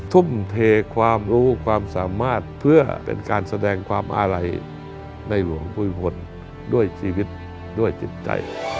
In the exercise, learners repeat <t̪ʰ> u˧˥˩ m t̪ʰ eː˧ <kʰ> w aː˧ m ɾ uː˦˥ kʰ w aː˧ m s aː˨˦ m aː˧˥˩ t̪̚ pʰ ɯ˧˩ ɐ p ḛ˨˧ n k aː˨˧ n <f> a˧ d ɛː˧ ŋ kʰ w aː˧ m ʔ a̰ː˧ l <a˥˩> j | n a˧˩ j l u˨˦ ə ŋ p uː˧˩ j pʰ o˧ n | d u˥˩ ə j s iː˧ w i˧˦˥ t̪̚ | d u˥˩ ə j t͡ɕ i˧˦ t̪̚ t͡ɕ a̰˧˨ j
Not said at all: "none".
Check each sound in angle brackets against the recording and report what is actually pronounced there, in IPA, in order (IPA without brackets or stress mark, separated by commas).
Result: t̪ʰ, kʰ, s, a˧